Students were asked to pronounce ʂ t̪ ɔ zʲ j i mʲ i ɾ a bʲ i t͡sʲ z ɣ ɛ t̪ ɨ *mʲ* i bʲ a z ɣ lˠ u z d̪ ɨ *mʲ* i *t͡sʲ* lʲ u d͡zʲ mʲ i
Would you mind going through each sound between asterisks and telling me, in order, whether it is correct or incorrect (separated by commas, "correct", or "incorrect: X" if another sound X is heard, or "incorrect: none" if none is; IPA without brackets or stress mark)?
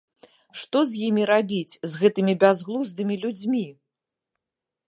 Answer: correct, correct, incorrect: none